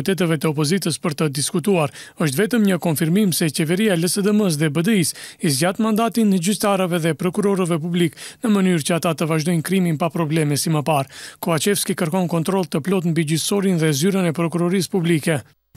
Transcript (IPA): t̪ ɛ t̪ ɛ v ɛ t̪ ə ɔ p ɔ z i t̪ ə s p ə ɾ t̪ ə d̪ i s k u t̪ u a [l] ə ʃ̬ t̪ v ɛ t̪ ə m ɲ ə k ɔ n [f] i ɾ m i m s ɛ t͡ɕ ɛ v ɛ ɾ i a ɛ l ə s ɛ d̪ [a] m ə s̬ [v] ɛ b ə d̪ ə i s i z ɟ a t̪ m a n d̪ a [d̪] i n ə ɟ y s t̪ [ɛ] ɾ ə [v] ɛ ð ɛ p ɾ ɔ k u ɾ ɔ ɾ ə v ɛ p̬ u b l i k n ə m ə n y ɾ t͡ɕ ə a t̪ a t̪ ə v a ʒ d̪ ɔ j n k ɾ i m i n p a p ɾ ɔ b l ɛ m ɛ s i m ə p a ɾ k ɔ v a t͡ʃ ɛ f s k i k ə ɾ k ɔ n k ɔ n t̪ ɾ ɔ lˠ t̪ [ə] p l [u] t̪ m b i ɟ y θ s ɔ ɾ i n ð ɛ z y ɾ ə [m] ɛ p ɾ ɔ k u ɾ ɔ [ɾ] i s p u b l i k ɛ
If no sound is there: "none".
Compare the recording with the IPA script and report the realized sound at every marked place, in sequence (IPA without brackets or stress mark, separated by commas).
ɾ, f, ə, ð, t̪, a, v, ə, ɔ, n, ɾ